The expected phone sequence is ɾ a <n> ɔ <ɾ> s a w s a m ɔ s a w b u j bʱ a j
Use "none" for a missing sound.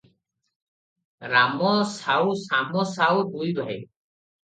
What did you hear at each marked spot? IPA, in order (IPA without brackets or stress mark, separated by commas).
m, none